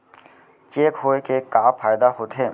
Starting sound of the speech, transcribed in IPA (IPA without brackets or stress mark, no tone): t͡ʃ